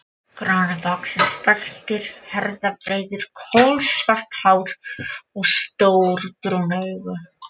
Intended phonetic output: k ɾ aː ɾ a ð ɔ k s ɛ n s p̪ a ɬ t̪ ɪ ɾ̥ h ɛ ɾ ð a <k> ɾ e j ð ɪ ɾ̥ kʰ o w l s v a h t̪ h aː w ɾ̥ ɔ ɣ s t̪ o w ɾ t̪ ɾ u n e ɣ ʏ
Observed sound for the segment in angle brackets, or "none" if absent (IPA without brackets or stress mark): p